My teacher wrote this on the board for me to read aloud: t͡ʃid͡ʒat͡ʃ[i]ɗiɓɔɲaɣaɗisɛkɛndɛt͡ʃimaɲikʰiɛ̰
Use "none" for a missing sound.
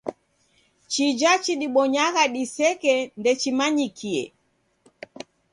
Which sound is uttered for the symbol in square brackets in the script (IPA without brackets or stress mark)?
i